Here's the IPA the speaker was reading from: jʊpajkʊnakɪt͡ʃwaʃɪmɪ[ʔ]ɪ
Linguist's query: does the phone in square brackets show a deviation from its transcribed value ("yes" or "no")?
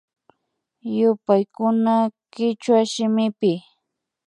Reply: yes